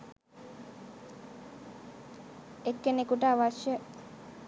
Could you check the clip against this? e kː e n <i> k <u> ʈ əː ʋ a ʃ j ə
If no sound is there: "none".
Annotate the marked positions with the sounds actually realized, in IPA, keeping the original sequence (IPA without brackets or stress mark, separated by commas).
e, u